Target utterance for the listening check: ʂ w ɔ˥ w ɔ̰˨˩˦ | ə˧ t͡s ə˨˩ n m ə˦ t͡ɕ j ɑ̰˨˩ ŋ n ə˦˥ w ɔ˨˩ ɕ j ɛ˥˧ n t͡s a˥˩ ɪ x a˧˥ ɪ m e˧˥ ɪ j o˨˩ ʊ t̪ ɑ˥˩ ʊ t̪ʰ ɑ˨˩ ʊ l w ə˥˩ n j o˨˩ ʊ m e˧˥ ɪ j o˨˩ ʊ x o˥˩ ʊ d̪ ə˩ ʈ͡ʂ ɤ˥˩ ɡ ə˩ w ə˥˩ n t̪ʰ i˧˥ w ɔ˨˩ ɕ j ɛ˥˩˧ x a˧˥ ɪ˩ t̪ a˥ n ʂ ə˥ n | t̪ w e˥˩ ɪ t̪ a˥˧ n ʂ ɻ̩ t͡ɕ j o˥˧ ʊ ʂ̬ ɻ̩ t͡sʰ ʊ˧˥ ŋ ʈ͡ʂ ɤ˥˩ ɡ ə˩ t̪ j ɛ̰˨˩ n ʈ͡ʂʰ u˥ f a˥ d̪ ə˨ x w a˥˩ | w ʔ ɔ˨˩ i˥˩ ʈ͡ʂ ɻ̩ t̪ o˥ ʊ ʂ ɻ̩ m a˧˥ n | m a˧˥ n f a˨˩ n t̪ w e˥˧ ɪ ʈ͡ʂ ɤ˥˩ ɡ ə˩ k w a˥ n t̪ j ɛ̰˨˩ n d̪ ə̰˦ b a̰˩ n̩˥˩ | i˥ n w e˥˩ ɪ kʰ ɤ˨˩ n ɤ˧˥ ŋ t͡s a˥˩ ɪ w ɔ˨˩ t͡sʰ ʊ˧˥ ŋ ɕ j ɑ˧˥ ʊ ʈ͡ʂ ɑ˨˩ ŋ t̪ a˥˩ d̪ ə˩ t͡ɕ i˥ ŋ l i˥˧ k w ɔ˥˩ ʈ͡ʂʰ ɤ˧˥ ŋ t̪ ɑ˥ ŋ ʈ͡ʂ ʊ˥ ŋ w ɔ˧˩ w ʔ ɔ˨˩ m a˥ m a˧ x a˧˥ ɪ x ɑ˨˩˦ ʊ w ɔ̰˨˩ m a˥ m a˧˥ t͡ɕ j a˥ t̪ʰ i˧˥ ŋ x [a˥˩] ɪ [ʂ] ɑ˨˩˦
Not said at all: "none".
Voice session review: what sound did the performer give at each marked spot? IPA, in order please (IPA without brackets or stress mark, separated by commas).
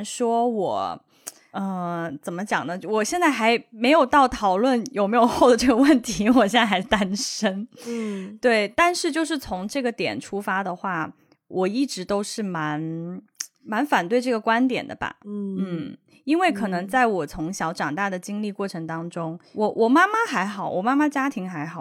a˧˥, x